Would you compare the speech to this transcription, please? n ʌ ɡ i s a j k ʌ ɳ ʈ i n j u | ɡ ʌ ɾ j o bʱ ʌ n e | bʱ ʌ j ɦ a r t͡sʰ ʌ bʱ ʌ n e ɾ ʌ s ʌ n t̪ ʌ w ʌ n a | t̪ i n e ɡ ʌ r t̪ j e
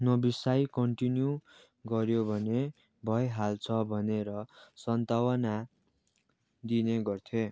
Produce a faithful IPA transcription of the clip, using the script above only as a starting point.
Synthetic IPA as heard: n ʌ b i s a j k ʌ ɳ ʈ i n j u | ɡ ʌ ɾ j o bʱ ʌ n e | bʱ ʌ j ɦ a l t͡sʰ ʌ bʱ ʌ n e ɾ ʌ s ʌ n t̪ a w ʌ n a | d̪ i n e ɡ ʌ r t̪ʰ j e

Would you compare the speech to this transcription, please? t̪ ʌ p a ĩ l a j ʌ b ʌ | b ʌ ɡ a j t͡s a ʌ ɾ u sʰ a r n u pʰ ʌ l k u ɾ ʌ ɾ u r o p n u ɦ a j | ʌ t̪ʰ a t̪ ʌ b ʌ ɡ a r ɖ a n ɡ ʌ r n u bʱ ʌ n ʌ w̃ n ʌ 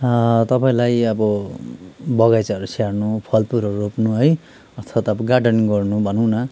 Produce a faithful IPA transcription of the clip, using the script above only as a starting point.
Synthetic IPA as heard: t̪ ʌ p a ĩ l a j ʌ b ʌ | b ʌ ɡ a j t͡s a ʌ ɾ u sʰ a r n u pʰ ʌ l p u ɾ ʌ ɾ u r o p n u ɦ ʌ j | ʌ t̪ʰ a t̪ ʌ b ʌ ɡ a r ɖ ʌ n ɡ ʌ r n u bʱ ʌ n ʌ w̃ n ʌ

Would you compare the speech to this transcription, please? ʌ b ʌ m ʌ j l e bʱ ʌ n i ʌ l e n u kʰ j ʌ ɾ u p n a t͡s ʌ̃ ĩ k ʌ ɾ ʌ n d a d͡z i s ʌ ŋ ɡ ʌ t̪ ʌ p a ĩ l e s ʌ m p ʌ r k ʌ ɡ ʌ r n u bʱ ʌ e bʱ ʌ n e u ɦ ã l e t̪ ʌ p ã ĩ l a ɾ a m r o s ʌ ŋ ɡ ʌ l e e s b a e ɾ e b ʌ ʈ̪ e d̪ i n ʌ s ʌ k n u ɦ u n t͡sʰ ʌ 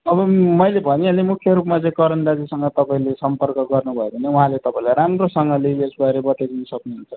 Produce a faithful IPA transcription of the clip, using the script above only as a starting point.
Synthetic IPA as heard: ʌ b ʌ m ʌ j l e bʱ ʌ n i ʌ l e m u kʰ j ʌ ɾ u p m a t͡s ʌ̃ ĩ k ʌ ɾ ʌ n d a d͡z i s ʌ ŋ ɡ ʌ t̪ ʌ p a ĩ l e s ʌ m p ʌ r k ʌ ɡ ʌ r n u bʱ ʌ e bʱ ʌ n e u ɦ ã l e t̪ ʌ p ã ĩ l a ɾ a m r o s ʌ ŋ ɡ ʌ l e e s b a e ɾ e b ʌ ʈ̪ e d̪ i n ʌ s ʌ k n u ɦ u n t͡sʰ ʌ

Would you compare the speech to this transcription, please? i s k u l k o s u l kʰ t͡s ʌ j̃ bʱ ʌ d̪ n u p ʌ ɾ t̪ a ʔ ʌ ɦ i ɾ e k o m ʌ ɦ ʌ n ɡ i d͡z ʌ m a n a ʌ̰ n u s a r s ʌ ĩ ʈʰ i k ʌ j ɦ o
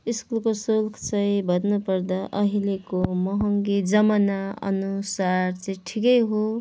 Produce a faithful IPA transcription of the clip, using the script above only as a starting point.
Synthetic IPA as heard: i s k u l k o s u l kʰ t͡s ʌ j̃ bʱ ʌ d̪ n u p ʌ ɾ d̪ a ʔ ʌ ɦ i l e k o m ʌ ɦ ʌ ŋ ɡ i d͡z ʌ m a n a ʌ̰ n u s a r t͡s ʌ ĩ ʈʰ i k ʌ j ɦ o

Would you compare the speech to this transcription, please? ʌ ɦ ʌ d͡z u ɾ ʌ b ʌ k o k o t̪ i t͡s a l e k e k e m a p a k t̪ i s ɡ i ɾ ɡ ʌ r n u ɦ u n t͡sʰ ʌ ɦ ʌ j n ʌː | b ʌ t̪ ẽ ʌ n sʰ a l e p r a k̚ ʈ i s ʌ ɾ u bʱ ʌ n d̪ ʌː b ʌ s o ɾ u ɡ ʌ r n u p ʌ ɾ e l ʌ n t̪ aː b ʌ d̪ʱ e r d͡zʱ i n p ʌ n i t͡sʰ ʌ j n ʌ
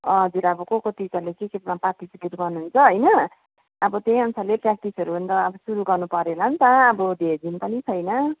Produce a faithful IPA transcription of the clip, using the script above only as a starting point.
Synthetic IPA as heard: ʌ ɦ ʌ d͡z u ɾ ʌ b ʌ k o k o t̪ i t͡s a l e k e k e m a p a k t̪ i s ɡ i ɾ ɡ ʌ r n u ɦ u n t͡sʰ ʌ ɦ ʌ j n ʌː | b ʌ t̪ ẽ ʌ n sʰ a l e p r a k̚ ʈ i s ʌ ɾ u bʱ ʌ n d̪ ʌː b ʌ s u ɾ u ɡ ʌ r n u p ʌ ɾ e l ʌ n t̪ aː b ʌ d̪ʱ e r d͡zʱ i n p ʌ n i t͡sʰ ʌ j n ʌ

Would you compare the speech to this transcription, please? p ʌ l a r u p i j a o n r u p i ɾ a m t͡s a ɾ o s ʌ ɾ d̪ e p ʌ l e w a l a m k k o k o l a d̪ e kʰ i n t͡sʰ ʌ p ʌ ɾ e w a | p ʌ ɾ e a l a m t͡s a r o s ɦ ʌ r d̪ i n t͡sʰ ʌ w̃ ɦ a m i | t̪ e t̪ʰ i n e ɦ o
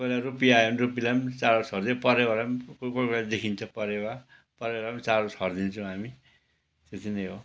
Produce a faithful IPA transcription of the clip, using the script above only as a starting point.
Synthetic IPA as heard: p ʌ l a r u p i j a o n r u p i l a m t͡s a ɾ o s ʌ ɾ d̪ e p ʌ ɾ e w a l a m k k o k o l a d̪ e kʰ i n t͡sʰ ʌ p ʌ ɾ e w a | p ʌ ɾ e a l a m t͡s a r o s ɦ ʌ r d̪ i n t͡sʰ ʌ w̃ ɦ a m i | t̪ e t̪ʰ i n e ɦ o

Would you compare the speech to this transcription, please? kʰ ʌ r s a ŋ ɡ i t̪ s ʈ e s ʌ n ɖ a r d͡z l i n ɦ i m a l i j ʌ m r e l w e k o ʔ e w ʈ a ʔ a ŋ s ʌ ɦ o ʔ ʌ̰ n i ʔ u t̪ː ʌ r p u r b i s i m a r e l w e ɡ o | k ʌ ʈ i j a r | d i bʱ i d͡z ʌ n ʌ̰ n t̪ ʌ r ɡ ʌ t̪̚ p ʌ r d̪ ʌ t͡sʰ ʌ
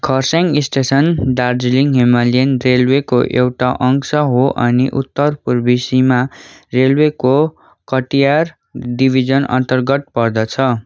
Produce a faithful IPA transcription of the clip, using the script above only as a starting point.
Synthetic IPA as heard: kʰ ʌ r s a ŋ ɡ i s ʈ e s ʌ n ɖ a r d͡z l i ŋ ɦ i m a l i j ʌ n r e l w e k o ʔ e w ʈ a ʔ ʌ ŋ s ʌ ɦ o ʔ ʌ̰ n i ʔ u t̪ː ʌ r p u r b i s i m a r e l w e k o | k ʌ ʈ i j a r | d i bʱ i d͡z ʌ n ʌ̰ n t̪ ʌ r ɡ ʌ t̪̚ p ʌ r d̪ ʌ t͡sʰ ʌ

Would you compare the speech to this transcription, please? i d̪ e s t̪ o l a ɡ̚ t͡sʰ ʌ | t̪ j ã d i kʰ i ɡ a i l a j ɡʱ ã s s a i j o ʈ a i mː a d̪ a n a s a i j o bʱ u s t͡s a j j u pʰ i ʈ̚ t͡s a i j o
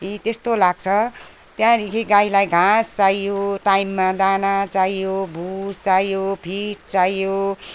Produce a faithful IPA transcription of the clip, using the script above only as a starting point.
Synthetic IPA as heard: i t̪ e s t̪ o l a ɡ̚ t͡sʰ ʌ | t̪ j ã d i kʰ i ɡ a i l a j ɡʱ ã s t͡s a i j o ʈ a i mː a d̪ a n a t͡s a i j o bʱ u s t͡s a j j o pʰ i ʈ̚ t͡s a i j o

